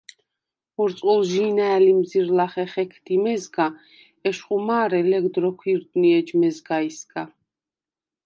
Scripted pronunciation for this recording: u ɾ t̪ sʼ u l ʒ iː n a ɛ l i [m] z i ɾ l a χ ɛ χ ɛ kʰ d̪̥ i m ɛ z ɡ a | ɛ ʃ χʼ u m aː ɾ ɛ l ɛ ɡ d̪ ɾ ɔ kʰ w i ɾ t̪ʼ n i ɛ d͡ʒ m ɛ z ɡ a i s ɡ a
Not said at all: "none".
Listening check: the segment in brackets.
m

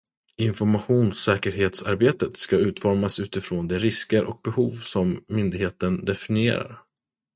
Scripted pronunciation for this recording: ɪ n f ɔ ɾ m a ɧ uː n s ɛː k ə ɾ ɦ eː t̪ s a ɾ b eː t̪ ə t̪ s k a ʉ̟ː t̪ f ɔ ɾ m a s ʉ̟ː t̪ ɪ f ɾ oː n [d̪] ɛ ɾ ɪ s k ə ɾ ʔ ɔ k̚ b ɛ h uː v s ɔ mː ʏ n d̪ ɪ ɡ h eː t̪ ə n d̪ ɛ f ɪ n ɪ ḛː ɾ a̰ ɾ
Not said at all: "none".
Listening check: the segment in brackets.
d̪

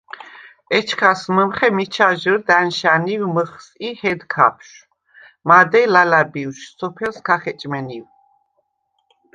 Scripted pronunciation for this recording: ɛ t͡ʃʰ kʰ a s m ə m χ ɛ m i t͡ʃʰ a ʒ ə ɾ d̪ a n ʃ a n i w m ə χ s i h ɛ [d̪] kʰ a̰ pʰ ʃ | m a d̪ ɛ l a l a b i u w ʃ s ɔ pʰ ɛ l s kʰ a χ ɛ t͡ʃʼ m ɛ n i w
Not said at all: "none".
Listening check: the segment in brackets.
d̪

